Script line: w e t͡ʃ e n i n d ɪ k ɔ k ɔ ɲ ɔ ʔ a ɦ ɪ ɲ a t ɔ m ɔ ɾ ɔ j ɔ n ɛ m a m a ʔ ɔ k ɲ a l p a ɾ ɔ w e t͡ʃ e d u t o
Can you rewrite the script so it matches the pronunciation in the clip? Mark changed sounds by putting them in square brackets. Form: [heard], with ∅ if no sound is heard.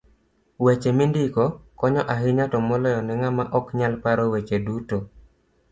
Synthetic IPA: w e t͡ʃ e [m] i n d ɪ k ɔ k ɔ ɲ ɔ ʔ a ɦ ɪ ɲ a t ɔ m ɔ [l] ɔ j ɔ n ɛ [ŋ] a m a ʔ ɔ k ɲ a l p a ɾ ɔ w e t͡ʃ e d u t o